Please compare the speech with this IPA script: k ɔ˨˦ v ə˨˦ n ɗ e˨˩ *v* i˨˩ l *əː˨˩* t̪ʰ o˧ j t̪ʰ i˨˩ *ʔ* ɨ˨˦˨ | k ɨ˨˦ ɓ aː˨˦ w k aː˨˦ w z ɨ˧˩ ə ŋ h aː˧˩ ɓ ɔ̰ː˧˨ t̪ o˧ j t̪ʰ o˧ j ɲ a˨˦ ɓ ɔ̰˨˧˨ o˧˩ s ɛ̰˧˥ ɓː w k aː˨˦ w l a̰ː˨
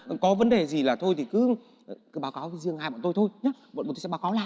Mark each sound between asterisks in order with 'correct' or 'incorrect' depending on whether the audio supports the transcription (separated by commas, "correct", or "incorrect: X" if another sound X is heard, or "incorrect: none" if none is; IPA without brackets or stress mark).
incorrect: z, incorrect: aː˨˩, incorrect: k